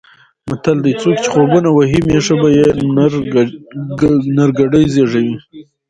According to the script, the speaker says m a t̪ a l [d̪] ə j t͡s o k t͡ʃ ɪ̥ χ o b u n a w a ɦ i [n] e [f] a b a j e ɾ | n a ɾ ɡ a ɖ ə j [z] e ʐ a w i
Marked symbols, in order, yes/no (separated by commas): yes, no, no, yes